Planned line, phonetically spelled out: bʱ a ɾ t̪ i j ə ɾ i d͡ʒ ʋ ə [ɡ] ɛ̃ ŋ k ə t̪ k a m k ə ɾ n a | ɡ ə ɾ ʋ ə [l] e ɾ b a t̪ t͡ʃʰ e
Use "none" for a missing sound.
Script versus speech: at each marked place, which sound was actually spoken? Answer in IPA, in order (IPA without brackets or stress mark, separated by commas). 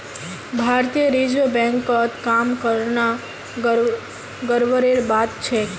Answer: b, ɾ